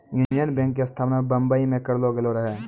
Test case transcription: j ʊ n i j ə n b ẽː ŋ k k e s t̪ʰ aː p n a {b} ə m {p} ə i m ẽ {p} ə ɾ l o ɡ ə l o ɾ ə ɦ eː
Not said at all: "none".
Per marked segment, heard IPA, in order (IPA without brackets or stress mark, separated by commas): b, b, k